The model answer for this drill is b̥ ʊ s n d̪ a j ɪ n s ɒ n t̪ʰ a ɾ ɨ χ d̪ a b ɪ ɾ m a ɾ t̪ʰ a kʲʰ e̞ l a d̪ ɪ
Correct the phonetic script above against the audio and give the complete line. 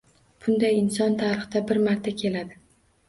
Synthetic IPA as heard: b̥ ʊ n d̪ a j ɪ n s ɒ n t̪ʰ a ɾ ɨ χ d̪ a b ɪ ɾ m a ɾ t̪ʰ a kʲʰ e̞ l a d̪ ɪ

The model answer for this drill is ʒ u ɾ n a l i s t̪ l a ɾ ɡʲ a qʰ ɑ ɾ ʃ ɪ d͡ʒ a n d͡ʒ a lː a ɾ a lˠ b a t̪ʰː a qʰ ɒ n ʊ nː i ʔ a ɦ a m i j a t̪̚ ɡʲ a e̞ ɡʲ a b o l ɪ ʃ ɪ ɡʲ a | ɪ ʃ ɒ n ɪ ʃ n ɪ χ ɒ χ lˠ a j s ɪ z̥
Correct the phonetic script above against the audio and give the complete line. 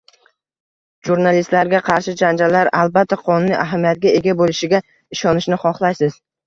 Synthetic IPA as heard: ʒ u ɾ n a l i s t̪ l a ɾ ɡʲ a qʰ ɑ ɾ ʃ ɪ d͡ʒ a n d͡ʒ a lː a ɾ a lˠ b a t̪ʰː a qʰ ɒ n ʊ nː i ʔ a ɦ a m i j a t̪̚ ɡʲ a e̞ ɡʲ a b o l ɪ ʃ ɪ ɡʲ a | ɪ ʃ ɒ n ɪ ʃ n ɪ χ ɒ χ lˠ a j s ɪ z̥

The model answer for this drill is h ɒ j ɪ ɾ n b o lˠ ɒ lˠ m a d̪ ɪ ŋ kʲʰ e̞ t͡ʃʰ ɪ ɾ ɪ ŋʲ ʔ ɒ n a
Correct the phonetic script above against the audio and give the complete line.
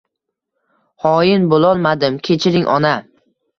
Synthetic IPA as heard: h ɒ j ɪ n b o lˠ ɒ lˠ m a d̪ ɪ m kʲʰ e̞ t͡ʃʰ ɪ ɾ ɪ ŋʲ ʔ ɒ n a

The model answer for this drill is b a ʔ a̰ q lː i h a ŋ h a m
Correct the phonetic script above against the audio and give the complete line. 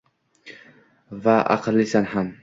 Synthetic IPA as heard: v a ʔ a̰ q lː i s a n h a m

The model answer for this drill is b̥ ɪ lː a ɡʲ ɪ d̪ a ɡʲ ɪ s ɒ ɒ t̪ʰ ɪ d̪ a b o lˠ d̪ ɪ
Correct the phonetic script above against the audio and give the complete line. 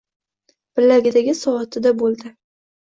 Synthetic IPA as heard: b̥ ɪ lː a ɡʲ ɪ d̪ a ɡʲ ɪ s ɒ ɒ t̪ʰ ɪ d̪ a b o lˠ d̪ ɪ

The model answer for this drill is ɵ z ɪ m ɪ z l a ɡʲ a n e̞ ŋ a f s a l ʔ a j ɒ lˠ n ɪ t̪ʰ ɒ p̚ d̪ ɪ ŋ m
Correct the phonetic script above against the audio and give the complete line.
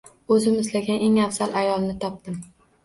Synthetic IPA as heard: ɵ z ɪ m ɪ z l a ɡʲ a n e̞ ŋ a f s a l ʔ a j ɒ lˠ n ɪ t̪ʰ ɒ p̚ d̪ ɪ m

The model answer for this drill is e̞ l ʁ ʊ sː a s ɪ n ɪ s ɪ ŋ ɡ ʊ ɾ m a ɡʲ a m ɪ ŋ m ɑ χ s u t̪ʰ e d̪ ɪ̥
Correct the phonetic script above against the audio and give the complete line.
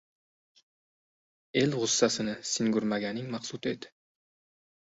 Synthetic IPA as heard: e̞ l ʁ ʊ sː a s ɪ n ɪ s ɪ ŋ ɡ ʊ ɾ m a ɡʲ a n ɪ ŋ m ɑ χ s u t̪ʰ e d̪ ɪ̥

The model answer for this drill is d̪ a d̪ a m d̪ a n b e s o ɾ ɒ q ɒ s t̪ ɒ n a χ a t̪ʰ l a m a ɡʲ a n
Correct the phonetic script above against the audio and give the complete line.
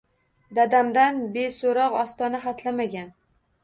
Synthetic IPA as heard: d̪ a d̪ a m d̪ a n b e s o ɾ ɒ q ɒ s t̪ ɒ n a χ a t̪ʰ l a m a ɡʲ a n

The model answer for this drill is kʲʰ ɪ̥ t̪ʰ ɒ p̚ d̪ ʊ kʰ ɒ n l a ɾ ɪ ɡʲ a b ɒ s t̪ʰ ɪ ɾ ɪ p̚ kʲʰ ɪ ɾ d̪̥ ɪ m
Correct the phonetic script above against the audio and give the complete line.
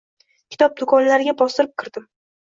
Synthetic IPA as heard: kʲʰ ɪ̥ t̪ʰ ɒ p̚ d̪ ʊ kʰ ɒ n l a ɾ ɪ ɡʲ a b ɒ s t̪ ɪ ɾ ɪ p̚ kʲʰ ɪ ɾ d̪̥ ɪ m

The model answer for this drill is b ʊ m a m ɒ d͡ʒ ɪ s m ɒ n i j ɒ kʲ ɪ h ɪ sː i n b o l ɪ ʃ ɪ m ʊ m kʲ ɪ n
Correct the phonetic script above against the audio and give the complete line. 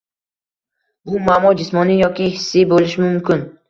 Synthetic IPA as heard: b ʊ m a m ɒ d͡ʒ ɪ s m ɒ n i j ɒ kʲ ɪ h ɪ sː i b o l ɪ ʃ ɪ m ʊ m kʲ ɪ n

